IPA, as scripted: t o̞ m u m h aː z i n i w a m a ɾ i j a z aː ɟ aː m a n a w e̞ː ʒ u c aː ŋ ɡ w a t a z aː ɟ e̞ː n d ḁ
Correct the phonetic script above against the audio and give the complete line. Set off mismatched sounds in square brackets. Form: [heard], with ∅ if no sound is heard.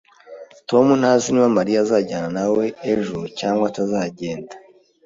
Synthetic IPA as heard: t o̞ m u [n] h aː z i n i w a m a ɾ i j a z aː ɟ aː [n] a n a w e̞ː ʒ u c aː ŋ ɡ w a t a z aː ɟ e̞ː n d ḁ

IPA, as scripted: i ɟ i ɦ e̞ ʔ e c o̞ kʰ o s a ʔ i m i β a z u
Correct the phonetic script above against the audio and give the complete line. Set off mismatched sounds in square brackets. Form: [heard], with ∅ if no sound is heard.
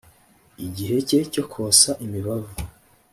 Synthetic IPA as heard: i ɟ i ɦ e̞ [c] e c o̞ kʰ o s a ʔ i m i β a [v] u

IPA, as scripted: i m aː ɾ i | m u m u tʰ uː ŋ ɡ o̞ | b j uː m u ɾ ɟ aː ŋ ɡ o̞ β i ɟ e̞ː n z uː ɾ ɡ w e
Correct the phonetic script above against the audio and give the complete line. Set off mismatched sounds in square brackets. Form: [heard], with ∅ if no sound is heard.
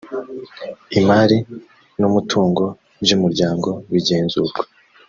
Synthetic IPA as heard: i m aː ɾ i | [n] u m u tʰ uː ŋ ɡ o̞ | b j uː m u ɾ ɟ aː ŋ ɡ o̞ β i ɟ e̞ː n z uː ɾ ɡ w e

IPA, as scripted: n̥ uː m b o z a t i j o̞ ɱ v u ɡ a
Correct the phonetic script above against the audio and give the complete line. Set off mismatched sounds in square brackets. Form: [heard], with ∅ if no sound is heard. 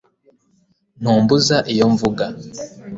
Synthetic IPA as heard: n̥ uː m b [u] z a [ʔ] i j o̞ ɱ v u ɡ a

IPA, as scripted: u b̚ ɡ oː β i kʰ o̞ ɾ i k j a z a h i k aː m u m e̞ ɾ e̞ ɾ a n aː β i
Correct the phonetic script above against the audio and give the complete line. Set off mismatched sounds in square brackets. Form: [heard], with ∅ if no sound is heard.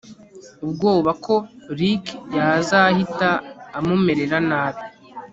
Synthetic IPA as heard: u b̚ ɡ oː β [a] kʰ o̞ ɾ i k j a z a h i [t] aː m u m e̞ ɾ e̞ ɾ a n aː β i

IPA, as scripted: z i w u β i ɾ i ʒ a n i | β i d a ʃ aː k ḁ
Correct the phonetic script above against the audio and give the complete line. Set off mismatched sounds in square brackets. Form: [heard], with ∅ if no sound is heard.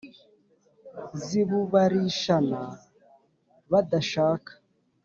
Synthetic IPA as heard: z i [β] u β [a] ɾ i [ʃ] a n [a] | β [a] d a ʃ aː k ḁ

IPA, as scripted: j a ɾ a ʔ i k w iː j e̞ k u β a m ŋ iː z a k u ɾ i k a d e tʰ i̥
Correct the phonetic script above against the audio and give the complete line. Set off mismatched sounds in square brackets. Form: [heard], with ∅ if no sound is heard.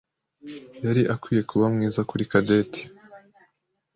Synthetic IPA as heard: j a ɾ [i] ʔ [a] k w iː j e̞ k u β a m ŋ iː z a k u ɾ i k a d e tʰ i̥

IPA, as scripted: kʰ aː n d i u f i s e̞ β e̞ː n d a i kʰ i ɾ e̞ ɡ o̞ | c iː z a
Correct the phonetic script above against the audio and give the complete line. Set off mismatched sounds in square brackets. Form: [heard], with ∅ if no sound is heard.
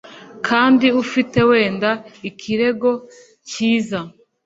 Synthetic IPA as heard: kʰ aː n d i u f i [t] e̞ [w] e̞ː n d a i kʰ i ɾ e̞ ɡ o̞ | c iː z a

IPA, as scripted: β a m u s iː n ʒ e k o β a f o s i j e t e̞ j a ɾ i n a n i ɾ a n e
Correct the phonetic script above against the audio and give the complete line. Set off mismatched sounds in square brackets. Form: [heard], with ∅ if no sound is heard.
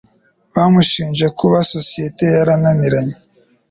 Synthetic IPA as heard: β a m u [ʃ] iː n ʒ e k [u] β a [s] o s i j e t e̞ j a ɾ [a] n a n i ɾ a [ɲ] e

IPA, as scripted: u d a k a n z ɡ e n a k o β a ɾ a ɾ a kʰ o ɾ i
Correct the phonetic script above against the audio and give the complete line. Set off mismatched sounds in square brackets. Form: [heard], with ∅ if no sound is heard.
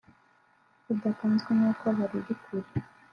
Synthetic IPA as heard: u d a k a n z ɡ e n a k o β a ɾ [i] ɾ [i] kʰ [u] ɾ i

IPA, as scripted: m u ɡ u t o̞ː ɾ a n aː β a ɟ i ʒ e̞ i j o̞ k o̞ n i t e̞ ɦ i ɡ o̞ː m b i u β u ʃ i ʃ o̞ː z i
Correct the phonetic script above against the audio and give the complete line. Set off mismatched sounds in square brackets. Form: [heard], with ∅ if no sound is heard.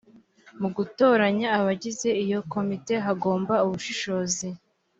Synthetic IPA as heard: m u ɡ u t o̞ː ɾ a [ɲ] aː β a ɟ i [z] e̞ i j o̞ k o̞ [m] i t e̞ ɦ [a] ɡ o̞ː m b [a] u β u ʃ i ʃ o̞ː z i

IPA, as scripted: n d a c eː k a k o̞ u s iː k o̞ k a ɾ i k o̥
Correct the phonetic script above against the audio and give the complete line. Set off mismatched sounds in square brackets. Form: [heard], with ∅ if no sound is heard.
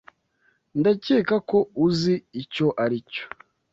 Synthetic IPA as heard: n d a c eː k a k o̞ u [z] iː [c] o̞ [ʔ] a ɾ i [c] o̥

